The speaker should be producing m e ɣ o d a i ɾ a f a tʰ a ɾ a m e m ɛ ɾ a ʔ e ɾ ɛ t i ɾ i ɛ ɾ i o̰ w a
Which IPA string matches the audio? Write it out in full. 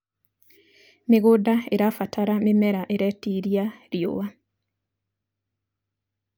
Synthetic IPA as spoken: m e ɣ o d a e ɾ a f a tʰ a ɾ a m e m ɛ ɾ a ʔ e ɾ ɛ t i ɾ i a ɾ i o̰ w a